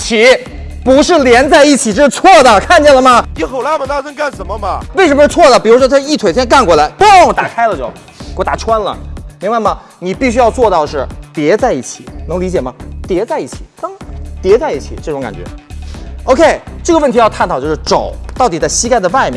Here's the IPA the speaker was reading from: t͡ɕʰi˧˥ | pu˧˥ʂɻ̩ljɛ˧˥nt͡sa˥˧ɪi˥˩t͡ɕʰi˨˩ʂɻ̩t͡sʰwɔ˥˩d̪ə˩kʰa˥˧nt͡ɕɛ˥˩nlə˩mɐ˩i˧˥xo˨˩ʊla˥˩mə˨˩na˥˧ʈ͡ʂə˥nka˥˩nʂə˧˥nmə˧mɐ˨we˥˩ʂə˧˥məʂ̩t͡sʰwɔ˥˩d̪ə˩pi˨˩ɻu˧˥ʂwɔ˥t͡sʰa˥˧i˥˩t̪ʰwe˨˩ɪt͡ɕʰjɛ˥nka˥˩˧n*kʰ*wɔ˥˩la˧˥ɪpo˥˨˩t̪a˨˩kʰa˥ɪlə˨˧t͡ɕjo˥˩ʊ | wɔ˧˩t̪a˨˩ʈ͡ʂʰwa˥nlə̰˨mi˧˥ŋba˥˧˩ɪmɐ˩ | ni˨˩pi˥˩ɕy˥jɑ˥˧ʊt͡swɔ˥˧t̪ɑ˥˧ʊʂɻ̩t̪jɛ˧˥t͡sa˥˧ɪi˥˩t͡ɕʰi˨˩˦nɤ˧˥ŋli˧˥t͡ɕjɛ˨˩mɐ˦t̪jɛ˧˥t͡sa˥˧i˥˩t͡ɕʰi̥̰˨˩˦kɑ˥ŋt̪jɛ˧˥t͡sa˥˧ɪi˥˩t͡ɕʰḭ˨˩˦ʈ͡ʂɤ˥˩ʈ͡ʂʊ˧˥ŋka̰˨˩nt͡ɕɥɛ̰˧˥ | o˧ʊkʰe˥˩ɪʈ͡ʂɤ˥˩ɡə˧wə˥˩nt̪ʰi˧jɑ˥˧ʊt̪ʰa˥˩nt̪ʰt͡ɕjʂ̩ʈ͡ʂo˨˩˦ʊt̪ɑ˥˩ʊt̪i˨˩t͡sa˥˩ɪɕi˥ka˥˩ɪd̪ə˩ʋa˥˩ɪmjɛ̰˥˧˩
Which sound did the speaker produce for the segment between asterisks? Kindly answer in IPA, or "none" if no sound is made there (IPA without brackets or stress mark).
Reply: k